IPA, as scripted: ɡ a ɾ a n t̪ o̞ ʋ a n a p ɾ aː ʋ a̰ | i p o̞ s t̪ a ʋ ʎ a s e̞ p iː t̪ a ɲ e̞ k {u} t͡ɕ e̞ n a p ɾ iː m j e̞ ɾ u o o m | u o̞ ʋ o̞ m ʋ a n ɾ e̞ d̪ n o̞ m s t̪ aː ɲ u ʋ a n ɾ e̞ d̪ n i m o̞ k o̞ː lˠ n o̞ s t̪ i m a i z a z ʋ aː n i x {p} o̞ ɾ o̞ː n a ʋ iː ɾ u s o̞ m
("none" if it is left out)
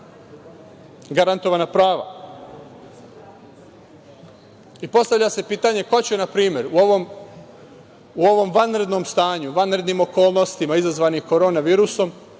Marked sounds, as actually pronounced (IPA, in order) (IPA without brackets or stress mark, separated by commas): o, k